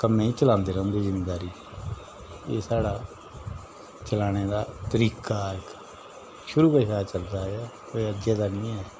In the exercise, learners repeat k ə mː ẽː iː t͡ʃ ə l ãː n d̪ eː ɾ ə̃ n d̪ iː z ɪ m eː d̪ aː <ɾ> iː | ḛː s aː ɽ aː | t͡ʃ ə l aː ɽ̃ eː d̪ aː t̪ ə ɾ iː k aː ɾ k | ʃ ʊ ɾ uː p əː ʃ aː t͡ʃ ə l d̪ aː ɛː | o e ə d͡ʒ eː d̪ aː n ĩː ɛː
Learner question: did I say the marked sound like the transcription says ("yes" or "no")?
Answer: yes